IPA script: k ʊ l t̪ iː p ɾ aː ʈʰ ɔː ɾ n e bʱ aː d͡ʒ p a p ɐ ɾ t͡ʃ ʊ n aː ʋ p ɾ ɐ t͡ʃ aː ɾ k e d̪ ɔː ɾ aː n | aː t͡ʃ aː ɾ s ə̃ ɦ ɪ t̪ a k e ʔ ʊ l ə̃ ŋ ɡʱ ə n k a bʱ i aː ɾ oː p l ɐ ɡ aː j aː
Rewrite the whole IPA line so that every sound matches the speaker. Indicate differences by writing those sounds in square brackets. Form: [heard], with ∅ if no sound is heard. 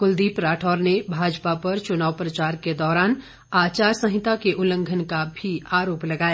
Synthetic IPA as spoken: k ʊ l [d̪] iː p ɾ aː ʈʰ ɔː ɾ n e bʱ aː d͡ʒ p a p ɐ ɾ t͡ʃ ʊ n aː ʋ p ɾ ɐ t͡ʃ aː ɾ k e d̪ ɔː ɾ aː n | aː t͡ʃ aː ɾ s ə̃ ɦ ɪ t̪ a k e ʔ ʊ l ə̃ ŋ ɡʱ ə n k a bʱ i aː ɾ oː p l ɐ ɡ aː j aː